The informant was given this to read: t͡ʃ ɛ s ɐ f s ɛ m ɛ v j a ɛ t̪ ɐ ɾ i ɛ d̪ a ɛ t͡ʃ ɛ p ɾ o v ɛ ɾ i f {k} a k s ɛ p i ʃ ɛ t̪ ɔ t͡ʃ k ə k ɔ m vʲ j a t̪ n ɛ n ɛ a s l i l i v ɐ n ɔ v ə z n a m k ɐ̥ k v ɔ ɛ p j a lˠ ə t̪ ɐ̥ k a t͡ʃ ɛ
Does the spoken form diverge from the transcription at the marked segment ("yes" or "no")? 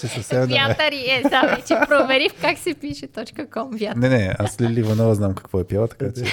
no